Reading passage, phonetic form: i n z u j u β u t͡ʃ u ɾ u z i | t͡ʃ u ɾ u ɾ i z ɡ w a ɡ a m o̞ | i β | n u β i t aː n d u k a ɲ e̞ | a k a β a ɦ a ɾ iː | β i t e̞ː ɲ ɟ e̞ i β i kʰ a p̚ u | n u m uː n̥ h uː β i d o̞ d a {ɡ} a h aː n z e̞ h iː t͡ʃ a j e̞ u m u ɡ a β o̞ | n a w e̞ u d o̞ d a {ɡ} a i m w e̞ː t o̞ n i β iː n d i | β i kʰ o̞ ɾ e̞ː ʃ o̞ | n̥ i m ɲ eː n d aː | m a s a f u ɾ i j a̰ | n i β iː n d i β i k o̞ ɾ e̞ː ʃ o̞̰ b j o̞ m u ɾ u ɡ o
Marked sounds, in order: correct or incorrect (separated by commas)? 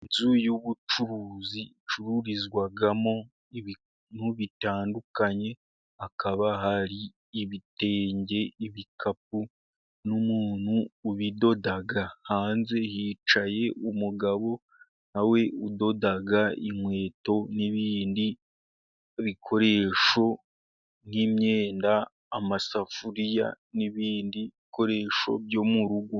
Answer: correct, correct